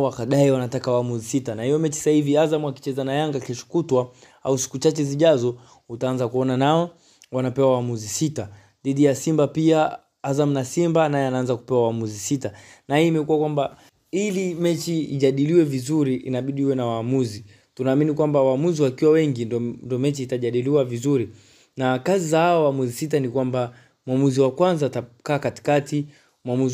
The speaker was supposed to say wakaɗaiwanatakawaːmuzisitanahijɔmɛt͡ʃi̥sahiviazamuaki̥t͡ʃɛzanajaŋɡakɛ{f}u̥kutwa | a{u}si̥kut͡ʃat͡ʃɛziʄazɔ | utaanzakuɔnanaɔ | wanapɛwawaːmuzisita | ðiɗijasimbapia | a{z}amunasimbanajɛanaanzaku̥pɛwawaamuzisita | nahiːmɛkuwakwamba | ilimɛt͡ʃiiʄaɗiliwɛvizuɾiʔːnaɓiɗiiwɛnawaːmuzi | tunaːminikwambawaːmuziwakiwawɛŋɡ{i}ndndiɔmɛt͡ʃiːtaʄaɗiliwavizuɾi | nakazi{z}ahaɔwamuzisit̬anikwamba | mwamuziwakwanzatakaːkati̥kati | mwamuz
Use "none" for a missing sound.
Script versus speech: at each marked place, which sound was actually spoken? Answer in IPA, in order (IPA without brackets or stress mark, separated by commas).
ʃ, u, z, i, z